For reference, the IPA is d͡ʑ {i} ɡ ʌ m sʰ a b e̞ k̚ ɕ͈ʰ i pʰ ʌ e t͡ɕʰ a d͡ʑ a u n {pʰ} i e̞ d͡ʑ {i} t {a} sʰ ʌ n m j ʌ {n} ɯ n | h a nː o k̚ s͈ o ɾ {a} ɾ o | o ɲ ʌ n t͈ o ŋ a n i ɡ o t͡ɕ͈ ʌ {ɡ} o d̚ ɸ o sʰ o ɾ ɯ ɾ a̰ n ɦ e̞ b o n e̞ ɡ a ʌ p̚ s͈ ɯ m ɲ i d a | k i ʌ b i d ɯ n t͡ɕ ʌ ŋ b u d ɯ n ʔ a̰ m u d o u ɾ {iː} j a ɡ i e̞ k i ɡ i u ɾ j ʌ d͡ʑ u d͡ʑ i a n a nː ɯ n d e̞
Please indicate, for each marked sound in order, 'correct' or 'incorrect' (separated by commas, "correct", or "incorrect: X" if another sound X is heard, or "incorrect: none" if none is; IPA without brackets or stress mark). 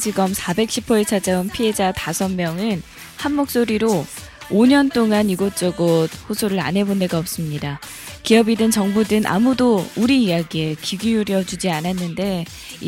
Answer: correct, correct, incorrect: a, correct, incorrect: ŋ, incorrect: i, correct, correct